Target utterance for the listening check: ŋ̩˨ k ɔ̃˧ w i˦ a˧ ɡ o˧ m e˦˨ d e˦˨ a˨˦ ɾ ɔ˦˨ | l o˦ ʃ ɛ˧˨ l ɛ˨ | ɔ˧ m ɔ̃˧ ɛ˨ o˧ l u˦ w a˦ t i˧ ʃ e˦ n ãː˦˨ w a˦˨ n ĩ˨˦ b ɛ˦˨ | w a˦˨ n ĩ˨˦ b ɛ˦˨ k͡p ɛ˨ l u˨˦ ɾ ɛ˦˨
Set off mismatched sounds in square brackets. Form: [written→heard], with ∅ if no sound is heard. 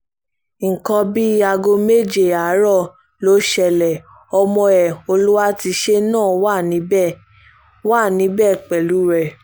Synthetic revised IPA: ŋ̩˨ k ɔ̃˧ [w→b] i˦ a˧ ɡ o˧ m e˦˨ [d→d͡ʒ] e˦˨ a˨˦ ɾ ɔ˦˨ | l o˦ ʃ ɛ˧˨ l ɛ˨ | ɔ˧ m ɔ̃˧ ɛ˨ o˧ l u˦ w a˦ t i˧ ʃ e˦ n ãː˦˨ w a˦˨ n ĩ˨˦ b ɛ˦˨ | w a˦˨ n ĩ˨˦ b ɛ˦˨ k͡p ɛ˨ l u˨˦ ɾ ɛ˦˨